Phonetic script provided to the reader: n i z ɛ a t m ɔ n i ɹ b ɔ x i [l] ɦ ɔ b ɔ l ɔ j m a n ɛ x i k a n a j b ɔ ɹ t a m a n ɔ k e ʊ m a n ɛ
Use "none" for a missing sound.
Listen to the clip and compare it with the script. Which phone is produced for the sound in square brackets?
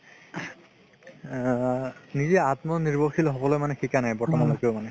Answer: l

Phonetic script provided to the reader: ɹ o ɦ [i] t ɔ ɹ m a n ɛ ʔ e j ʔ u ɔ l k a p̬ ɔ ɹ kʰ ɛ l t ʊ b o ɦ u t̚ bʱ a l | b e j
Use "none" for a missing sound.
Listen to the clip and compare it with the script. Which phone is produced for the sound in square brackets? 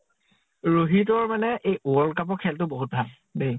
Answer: i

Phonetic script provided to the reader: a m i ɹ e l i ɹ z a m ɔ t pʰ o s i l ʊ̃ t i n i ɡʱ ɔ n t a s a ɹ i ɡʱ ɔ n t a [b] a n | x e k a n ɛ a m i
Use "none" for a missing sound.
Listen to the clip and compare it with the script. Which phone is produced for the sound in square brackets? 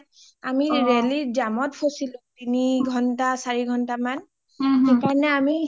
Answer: m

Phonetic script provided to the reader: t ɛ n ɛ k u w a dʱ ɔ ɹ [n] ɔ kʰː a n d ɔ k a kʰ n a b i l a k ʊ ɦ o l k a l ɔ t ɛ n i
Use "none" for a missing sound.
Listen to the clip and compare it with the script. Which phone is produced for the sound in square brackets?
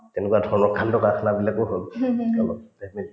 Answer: n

